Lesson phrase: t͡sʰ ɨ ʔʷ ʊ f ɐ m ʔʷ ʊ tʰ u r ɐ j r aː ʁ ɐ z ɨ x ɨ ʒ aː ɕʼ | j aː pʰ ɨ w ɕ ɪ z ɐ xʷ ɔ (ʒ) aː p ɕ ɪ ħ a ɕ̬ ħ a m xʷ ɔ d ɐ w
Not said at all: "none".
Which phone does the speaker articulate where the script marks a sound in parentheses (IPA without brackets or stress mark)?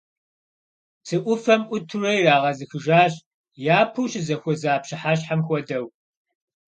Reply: z